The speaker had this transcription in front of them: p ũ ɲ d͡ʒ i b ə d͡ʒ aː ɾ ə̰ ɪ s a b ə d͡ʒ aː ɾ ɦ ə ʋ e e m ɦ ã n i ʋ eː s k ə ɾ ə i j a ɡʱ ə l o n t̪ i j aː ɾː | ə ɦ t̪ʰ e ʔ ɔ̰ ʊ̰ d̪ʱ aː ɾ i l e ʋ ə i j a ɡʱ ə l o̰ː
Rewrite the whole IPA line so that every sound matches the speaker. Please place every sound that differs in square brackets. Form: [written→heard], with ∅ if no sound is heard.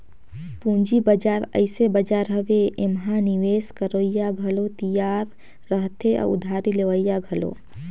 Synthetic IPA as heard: p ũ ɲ d͡ʒ i b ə d͡ʒ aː ɾ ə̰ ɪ s [a→e] b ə d͡ʒ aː ɾ ɦ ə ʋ e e m ɦ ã n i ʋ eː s k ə ɾ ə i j a ɡʱ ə l o [n→∅] t̪ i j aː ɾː | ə ɦ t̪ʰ e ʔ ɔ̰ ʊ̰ d̪ʱ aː ɾ i l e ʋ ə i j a ɡʱ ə l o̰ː

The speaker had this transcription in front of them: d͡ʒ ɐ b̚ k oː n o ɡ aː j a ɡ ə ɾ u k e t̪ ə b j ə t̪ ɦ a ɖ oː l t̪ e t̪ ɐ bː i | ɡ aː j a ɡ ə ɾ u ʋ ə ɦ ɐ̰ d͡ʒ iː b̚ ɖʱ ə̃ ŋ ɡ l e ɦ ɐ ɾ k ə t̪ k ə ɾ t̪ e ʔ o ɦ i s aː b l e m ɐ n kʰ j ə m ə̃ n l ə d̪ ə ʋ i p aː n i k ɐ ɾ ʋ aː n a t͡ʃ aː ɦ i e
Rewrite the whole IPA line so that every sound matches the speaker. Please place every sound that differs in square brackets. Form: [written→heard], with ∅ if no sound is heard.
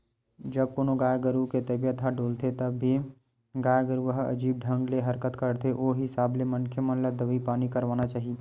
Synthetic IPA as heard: d͡ʒ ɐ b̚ k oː n o ɡ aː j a ɡ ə ɾ u k e t̪ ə b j ə t̪ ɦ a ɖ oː l t̪ e t̪ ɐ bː i | ɡ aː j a ɡ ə ɾ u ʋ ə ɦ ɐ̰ d͡ʒ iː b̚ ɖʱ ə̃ ŋ ɡ l e ɦ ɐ ɾ k ə t̪ k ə ɾ t̪ e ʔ o ɦ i s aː b l e m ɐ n kʰ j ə m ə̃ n l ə d̪ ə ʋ i p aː n i k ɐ ɾ ʋ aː n a t͡ʃ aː ɦ i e

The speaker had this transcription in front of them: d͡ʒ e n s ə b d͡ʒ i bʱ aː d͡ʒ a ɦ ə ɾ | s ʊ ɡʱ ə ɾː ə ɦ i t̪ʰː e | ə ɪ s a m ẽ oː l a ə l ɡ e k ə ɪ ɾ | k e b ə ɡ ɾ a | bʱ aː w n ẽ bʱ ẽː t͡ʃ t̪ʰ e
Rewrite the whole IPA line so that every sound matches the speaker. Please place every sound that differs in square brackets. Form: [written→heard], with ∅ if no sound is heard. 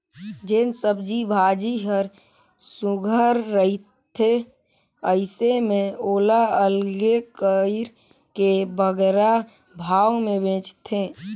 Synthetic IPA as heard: d͡ʒ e n s ə b d͡ʒ i bʱ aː d͡ʒ [a→i] ɦ ə ɾ | s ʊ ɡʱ ə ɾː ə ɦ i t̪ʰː e | ə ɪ s [a→e] m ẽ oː l a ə l ɡ e k ə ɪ ɾ | k e b ə ɡ ɾ a | bʱ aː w [n→m] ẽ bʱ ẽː t͡ʃ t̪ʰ e

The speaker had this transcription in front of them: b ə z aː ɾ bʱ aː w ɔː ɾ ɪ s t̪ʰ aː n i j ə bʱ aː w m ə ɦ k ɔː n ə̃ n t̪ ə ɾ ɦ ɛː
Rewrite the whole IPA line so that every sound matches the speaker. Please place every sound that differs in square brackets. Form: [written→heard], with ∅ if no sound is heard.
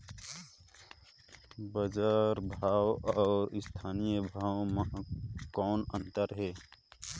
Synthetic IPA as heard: b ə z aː ɾ bʱ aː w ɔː ɾ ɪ s t̪ʰ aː n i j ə bʱ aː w m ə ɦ k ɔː n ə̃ n t̪ ə ɾ ɦ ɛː

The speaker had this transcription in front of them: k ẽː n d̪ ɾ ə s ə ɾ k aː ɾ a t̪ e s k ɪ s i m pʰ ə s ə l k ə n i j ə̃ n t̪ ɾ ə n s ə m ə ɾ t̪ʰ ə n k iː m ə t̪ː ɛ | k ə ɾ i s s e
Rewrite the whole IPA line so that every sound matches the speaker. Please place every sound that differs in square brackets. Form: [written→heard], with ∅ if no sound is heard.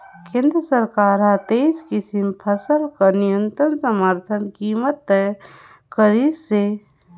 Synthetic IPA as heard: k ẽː n d̪ ɾ ə s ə ɾ k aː ɾ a t̪ e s k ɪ s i m pʰ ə s ə l k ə n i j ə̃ n t̪ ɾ ə n s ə m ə ɾ t̪ʰ ə n k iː m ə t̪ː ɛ | k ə ɾ i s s e

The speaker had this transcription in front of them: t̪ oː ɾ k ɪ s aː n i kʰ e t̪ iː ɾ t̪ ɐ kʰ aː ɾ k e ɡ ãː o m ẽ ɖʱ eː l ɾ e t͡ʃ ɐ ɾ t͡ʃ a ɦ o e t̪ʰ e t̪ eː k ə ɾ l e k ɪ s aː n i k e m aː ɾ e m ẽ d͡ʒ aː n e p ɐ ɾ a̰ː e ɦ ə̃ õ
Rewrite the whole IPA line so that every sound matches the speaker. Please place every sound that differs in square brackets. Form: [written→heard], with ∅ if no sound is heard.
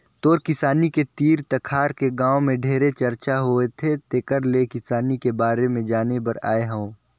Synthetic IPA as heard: t̪ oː ɾ k ɪ s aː n i [kʰ→k] e t̪ iː ɾ t̪ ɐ kʰ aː ɾ k e ɡ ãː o m ẽ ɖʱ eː [l→∅] ɾ e t͡ʃ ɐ ɾ t͡ʃ a ɦ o e t̪ʰ e t̪ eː k ə ɾ l e k ɪ s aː n i k e [m→b] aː ɾ e m ẽ d͡ʒ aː n e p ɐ ɾ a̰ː e ɦ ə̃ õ

